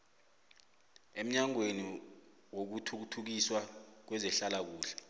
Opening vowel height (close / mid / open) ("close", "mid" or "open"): mid